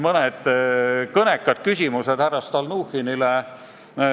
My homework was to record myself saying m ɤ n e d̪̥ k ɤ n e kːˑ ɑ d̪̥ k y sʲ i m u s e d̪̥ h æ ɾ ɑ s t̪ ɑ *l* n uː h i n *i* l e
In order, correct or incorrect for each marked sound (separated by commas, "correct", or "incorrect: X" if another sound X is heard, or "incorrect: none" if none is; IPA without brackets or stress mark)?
correct, correct